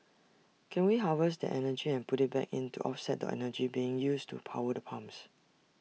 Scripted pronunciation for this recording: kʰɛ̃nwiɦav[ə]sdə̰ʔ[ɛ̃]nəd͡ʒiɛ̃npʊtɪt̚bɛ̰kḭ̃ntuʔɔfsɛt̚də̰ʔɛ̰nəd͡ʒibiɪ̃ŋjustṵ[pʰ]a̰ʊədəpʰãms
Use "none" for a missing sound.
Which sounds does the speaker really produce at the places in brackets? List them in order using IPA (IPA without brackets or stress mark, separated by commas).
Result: ə, ɛ, pʰ